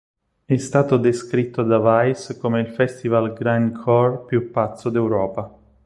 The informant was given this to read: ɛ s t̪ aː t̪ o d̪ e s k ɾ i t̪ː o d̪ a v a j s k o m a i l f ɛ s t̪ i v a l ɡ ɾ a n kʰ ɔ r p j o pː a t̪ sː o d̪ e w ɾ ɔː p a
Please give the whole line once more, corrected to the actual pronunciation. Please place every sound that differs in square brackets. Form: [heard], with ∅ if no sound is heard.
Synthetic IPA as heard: ɛ s t̪ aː t̪ o d̪ e s k ɾ i t̪ː o d̪ a v a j s k o m [e] i l f ɛ s t̪ i v a l ɡ ɾ a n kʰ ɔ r p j [u] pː a t̪ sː o d̪ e w ɾ ɔː p a